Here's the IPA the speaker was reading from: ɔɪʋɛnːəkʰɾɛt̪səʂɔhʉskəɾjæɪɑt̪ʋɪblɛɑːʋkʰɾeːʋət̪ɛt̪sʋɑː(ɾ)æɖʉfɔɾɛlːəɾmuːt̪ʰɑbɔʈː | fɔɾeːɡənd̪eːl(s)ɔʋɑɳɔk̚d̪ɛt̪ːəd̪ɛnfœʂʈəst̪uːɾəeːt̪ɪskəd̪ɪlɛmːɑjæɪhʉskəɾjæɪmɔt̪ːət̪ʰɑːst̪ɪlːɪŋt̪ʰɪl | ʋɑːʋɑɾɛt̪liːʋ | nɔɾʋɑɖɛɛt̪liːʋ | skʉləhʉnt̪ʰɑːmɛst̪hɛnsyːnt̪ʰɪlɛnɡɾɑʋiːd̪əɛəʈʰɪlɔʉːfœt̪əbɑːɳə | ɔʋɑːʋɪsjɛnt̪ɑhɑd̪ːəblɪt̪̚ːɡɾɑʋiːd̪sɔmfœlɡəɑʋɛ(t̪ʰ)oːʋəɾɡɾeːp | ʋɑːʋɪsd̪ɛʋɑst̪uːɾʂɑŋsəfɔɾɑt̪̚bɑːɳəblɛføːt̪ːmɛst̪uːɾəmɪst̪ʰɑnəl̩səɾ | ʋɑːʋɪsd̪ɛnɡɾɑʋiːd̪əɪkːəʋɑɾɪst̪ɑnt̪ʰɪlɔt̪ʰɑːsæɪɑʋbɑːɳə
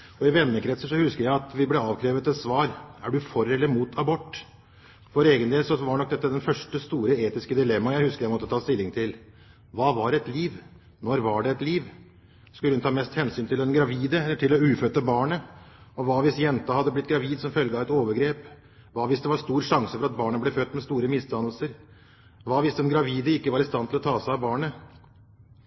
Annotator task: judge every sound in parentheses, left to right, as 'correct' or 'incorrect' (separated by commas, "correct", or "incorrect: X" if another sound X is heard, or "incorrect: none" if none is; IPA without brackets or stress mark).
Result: correct, correct, incorrect: t̪